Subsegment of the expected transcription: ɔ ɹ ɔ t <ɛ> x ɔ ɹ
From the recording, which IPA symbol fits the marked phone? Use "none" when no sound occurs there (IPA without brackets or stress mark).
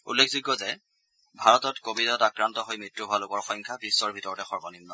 ɛ